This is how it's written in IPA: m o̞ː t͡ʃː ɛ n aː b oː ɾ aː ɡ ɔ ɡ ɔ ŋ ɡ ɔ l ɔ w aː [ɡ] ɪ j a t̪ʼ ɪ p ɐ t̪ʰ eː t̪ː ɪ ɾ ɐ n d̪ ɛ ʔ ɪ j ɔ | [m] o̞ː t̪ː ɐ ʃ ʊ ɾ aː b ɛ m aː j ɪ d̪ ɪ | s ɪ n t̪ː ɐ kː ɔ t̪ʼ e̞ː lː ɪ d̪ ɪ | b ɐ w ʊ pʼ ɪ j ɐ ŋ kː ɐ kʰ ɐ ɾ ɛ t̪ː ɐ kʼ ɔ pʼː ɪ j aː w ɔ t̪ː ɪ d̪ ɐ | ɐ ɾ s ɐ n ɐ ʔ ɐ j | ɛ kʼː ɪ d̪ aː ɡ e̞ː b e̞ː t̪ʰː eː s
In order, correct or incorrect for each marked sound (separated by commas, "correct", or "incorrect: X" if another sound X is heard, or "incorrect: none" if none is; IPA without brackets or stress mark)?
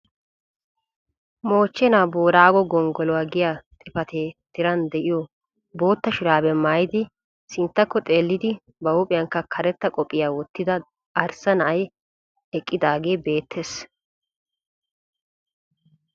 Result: correct, incorrect: b